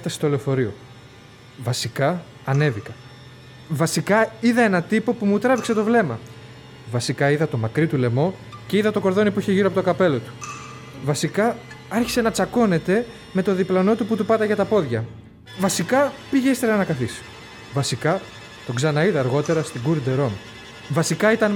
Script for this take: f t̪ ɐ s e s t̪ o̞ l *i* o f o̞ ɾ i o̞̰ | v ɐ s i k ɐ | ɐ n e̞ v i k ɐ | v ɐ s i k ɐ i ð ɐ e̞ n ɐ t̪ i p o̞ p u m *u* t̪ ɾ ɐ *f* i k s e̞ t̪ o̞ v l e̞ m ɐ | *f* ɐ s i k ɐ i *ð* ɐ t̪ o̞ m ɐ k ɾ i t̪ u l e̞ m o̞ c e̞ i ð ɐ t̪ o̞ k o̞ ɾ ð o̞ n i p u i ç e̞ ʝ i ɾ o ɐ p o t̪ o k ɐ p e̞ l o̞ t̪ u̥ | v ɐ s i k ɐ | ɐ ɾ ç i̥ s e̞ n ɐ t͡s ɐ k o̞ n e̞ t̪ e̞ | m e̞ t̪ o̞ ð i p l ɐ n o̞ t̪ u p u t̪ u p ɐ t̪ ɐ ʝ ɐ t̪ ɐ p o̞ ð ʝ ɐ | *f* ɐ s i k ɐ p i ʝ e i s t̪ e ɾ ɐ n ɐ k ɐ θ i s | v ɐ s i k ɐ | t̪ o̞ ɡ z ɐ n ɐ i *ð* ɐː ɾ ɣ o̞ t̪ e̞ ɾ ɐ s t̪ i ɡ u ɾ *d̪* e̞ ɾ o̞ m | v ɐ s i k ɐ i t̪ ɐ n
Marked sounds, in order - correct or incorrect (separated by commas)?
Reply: incorrect, correct, incorrect, incorrect, correct, incorrect, correct, correct